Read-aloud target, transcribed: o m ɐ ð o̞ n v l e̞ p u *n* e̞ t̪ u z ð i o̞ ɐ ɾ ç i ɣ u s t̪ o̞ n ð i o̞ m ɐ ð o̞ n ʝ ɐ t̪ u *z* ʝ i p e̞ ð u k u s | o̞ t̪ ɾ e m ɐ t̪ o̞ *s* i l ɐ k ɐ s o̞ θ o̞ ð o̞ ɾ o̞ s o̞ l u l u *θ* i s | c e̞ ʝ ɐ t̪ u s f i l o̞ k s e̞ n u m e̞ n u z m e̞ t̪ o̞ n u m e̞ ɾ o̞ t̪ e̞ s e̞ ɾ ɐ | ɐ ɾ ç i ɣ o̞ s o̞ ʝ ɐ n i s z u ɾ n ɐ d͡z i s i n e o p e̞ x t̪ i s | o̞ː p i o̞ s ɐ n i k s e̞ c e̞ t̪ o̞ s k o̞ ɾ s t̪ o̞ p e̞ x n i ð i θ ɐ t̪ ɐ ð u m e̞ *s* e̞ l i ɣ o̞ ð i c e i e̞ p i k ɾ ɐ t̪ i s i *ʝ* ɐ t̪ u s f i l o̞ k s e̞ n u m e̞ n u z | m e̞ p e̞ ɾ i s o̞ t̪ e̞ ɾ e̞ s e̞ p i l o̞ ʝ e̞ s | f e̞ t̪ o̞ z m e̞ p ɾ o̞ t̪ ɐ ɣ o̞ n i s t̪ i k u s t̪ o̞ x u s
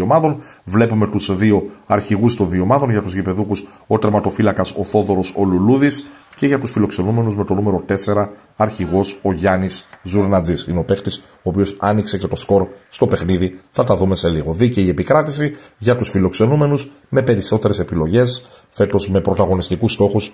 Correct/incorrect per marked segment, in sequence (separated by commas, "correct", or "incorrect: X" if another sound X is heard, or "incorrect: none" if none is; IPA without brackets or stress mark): incorrect: m, correct, incorrect: f, incorrect: ð, correct, correct